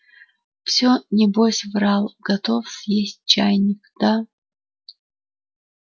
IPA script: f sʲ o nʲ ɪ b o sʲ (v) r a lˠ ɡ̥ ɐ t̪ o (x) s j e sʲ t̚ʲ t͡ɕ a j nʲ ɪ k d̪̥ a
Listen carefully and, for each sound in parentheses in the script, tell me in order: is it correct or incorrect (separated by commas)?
correct, incorrect